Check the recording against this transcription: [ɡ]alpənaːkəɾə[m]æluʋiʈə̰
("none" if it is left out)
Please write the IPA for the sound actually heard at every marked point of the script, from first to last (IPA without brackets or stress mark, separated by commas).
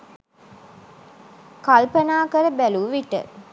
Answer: k, b